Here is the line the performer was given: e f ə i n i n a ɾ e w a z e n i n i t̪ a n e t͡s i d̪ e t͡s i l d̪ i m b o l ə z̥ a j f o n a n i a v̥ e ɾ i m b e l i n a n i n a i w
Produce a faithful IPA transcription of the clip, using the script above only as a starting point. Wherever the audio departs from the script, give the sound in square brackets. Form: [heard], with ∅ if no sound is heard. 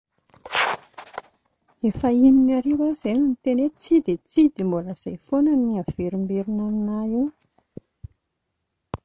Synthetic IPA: e f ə i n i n a ɾ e w a z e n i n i t̪ [e] n e t͡s i d̪ e t͡s i [∅] d̪ i m b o l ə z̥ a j f o n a n i a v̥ e ɾ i m b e [ɾ] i n a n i n a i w

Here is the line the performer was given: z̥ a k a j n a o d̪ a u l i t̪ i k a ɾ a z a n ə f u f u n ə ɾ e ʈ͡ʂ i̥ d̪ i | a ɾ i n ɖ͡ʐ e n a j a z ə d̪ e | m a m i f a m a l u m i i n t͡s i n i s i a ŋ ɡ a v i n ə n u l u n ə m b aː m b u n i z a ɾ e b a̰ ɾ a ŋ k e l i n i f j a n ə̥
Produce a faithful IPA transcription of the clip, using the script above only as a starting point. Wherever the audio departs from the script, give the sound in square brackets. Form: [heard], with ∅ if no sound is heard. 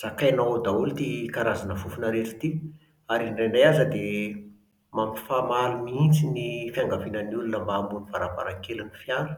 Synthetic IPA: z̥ a k a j n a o d̪ a u l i t̪ i k a ɾ a z a n ə f u f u n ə ɾ e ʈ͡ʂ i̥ [t̪] i | a ɾ i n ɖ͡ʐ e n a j a z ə d̪ e | m a m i f a m a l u m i i n t͡s i n i [f] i a ŋ ɡ a v i n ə n u l u n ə m b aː m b u n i [v] a ɾ [a] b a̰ ɾ a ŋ k e l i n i f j a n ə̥

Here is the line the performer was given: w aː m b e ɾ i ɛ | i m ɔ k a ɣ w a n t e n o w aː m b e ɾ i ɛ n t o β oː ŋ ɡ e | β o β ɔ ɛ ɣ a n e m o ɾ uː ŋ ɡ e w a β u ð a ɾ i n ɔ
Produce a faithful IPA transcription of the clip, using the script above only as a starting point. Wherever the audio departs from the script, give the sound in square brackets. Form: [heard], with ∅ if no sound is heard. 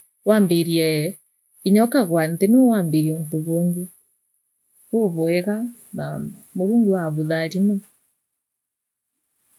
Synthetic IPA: w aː m b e ɾ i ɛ | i [ɲ] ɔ k a ɣ w a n t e n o w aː m b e ɾ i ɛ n t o β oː ŋ ɡ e | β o β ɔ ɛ ɣ a n [a] m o ɾ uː ŋ ɡ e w a β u ð a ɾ i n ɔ

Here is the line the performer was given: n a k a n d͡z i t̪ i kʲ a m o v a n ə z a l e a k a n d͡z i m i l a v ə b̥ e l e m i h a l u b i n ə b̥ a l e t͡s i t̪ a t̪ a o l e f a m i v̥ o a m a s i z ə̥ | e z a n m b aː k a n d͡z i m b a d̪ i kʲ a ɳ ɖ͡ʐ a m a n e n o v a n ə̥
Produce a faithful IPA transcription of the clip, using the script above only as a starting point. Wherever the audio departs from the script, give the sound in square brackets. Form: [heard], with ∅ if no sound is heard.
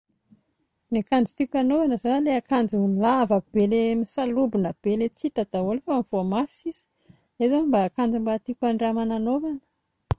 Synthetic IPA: n a k a n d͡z i t̪ i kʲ a [n] o v a n ə z a l e a k a n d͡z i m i l a v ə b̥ e l e m i [s] a l u b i n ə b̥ [e] l e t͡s i t̪ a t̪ a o l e f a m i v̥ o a m a s i z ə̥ | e z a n m b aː k a n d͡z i m b a [t̪] i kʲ a ɳ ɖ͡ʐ a m a n [a] n o v a n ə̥

